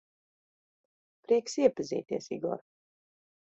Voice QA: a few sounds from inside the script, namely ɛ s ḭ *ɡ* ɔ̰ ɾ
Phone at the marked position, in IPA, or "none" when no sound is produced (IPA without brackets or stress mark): ɡ